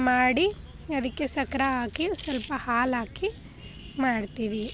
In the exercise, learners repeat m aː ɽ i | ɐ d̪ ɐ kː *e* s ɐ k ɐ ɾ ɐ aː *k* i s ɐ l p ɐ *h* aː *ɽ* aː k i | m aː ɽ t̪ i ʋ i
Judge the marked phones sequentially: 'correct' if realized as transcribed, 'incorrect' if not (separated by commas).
correct, correct, correct, incorrect